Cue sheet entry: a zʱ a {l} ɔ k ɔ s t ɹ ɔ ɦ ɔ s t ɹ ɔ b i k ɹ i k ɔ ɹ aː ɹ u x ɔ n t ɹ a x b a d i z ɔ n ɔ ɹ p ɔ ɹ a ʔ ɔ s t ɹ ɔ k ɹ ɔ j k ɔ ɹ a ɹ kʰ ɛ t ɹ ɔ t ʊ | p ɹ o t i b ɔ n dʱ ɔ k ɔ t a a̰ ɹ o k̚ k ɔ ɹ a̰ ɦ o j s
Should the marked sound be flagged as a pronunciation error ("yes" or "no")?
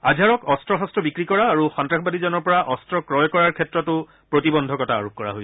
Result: yes